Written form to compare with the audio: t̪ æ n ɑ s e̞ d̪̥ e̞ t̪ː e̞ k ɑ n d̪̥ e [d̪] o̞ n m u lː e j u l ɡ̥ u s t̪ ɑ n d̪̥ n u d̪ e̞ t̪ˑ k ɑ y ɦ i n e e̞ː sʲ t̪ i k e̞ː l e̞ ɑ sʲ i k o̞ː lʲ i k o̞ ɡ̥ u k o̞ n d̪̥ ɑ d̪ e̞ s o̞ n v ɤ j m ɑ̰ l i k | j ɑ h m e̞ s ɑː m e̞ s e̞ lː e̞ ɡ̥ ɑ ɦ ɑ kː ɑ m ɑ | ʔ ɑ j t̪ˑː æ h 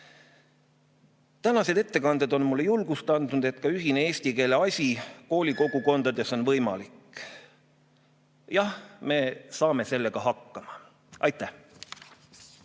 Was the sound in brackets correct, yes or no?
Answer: yes